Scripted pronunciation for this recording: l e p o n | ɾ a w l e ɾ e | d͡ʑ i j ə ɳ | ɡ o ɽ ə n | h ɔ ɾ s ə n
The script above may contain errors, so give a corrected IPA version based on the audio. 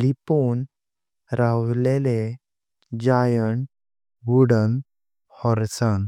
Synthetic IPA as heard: l i p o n | ɾ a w l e l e | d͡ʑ a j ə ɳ | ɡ u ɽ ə n | h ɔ ɾ s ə n